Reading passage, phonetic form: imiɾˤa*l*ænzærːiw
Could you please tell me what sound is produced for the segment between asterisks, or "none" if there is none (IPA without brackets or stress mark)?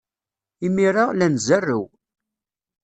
l